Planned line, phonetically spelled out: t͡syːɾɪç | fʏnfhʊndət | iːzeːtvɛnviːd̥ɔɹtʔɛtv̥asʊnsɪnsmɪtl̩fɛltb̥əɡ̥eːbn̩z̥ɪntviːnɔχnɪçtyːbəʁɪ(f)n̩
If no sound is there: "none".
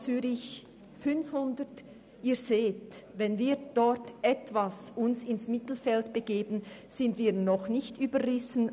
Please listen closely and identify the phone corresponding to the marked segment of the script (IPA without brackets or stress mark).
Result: s